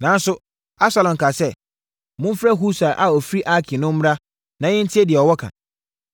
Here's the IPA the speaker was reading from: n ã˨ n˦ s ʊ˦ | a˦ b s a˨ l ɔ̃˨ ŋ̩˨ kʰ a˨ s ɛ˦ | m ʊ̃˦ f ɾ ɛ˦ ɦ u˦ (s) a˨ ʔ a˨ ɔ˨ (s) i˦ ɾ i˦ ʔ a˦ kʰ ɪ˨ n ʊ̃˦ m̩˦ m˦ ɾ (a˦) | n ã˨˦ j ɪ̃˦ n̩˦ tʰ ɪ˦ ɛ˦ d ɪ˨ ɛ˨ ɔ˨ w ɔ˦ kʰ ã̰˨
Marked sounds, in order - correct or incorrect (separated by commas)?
correct, incorrect, correct